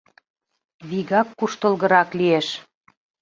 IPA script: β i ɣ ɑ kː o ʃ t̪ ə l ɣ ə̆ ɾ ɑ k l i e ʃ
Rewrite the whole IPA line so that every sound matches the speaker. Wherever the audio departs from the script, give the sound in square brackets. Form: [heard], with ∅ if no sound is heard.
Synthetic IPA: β i ɣ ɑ kː [u] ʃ t̪ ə l ɣ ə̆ ɾ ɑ k l i e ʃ